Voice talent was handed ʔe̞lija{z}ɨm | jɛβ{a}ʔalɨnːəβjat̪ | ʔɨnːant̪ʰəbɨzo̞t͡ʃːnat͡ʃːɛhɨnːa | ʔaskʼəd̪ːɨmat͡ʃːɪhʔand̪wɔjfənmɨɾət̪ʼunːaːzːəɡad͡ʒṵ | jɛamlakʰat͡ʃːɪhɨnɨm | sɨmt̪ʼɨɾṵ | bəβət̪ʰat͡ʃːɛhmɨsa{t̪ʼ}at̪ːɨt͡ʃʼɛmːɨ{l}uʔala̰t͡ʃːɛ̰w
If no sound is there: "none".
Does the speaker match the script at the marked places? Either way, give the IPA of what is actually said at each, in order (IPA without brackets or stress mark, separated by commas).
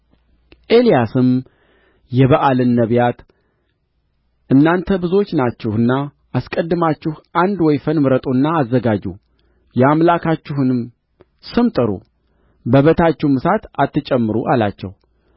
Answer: s, ə, t̪, ɾ